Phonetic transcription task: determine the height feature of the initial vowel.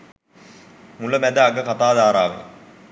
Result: high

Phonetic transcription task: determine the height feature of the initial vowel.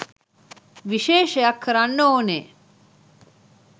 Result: high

